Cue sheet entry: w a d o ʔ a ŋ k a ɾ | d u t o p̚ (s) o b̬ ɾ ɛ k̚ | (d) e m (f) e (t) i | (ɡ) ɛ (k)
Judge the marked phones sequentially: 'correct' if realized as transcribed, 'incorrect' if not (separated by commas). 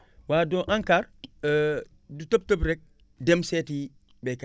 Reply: incorrect, correct, incorrect, correct, incorrect, correct